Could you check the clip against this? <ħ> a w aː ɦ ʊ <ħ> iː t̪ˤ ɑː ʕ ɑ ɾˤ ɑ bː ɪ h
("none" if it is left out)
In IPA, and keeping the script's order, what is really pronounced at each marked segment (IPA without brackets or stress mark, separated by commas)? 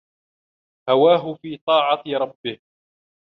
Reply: h, f